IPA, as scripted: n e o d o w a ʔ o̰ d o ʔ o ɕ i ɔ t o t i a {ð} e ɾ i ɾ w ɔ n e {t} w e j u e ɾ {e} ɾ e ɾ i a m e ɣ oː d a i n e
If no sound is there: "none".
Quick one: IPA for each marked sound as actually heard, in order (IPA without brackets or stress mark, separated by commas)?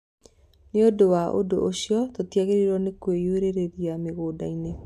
ɣ, k, e